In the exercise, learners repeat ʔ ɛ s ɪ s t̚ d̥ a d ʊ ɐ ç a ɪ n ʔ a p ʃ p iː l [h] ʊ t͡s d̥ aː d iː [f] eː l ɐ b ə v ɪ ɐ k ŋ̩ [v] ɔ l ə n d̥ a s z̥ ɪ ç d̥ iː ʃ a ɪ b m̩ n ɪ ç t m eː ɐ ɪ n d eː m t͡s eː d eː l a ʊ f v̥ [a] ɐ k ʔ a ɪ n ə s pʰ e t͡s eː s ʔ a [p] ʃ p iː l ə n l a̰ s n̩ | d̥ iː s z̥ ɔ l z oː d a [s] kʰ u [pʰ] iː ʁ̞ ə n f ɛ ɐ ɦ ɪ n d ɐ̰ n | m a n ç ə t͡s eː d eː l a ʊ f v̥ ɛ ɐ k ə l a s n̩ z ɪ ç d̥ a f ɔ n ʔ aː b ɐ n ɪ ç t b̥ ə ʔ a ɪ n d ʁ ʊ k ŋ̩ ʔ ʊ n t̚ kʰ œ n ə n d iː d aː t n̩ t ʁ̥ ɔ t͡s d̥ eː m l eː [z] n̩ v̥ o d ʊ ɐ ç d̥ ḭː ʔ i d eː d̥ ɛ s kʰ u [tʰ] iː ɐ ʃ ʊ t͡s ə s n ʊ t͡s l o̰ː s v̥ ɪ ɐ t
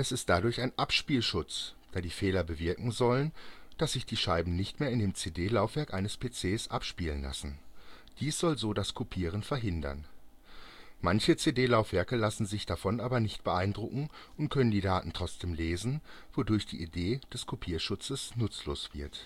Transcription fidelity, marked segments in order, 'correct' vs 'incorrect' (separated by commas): incorrect, correct, incorrect, incorrect, correct, correct, correct, correct, incorrect